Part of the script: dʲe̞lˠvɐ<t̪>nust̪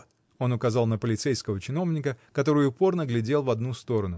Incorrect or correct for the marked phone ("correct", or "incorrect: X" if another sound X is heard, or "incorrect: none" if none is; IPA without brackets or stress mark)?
incorrect: d̪